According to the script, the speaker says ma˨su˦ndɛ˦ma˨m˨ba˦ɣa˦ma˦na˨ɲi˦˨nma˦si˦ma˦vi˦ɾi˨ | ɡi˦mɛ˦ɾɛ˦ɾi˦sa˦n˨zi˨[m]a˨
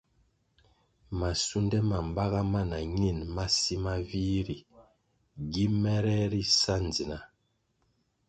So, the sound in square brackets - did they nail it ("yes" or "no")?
no